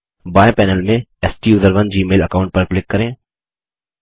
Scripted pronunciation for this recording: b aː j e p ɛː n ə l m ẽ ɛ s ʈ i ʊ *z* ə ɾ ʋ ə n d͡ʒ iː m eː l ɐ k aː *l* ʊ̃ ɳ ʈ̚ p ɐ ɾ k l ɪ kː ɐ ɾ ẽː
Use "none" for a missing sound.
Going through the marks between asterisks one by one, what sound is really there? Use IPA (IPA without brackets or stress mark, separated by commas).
z, none